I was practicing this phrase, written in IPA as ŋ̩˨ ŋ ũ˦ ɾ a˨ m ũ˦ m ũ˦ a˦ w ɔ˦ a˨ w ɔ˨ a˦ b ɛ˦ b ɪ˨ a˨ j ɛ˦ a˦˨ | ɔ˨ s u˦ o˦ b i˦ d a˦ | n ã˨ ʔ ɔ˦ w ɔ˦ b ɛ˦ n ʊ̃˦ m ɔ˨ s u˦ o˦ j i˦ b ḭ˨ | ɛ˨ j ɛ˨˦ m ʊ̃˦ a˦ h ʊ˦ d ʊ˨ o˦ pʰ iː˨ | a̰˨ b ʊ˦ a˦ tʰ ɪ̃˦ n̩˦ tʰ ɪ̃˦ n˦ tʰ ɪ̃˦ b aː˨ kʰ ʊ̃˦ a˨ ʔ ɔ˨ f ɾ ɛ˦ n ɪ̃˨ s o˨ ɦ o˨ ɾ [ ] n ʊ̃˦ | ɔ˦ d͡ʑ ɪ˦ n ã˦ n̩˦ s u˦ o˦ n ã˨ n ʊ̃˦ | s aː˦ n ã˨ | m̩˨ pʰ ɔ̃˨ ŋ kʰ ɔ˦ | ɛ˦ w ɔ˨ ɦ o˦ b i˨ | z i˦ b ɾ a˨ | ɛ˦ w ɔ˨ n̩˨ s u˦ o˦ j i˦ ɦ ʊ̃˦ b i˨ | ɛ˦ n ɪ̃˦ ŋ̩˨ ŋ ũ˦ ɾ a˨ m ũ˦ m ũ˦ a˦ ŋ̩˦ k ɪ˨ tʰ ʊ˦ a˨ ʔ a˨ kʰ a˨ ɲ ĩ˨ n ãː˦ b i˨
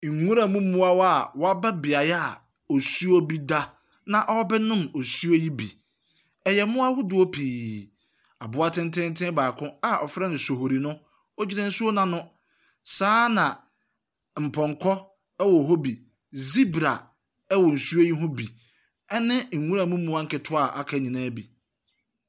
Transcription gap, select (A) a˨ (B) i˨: B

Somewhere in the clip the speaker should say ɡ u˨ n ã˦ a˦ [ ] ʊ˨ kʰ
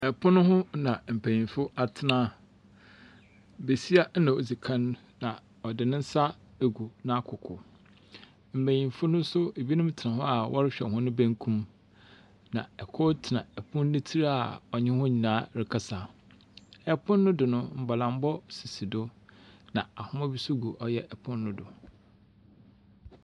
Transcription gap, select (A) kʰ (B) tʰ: A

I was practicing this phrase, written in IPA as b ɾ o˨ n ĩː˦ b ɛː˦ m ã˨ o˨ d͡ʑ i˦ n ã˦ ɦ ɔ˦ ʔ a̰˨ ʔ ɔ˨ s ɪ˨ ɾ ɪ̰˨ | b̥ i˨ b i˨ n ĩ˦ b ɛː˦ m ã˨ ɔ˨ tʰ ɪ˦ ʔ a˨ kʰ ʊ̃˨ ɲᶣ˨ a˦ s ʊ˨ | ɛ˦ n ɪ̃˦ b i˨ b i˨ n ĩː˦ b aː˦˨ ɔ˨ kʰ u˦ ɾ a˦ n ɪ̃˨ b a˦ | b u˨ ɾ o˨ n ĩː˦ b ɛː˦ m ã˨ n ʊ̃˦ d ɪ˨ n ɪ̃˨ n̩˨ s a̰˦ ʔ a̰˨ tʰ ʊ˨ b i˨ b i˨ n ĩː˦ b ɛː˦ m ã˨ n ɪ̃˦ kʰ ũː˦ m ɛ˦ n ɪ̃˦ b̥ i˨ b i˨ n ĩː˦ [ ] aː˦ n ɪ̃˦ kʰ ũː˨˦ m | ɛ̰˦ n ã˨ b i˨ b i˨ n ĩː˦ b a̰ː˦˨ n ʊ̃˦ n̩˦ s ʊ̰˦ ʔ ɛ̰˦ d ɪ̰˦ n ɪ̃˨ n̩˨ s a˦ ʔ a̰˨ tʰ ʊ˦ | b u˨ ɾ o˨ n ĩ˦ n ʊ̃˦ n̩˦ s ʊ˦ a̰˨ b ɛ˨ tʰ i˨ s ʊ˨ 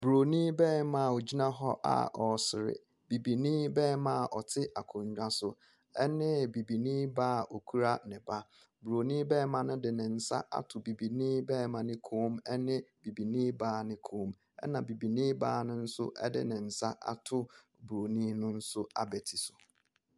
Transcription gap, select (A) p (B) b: B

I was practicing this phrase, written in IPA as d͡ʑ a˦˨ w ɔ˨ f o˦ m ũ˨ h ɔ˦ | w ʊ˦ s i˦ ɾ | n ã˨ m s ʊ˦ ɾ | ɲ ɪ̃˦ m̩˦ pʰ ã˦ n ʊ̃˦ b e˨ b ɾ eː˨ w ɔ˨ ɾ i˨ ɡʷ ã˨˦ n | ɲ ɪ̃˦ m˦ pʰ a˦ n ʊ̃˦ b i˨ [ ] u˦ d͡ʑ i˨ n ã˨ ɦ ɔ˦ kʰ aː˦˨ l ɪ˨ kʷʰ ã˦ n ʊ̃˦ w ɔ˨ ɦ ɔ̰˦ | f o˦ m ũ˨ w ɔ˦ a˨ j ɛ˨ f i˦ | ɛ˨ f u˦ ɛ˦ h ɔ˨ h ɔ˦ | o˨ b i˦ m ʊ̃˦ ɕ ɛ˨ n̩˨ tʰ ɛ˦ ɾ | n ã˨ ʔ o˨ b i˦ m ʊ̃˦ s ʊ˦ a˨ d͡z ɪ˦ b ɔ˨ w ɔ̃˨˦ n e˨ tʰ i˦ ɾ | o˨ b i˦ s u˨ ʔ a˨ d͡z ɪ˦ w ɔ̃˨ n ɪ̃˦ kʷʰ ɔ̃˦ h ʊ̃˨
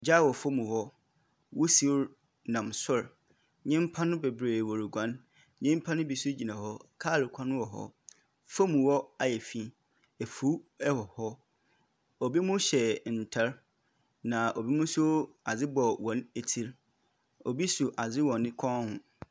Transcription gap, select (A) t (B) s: B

